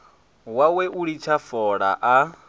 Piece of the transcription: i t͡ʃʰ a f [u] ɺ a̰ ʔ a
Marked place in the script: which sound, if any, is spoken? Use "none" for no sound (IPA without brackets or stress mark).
ɔ